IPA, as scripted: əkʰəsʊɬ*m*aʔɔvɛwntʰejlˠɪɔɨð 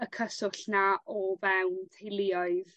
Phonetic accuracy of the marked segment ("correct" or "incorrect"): incorrect